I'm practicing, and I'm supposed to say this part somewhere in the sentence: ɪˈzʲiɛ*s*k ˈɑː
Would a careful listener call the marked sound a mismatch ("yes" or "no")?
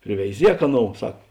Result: yes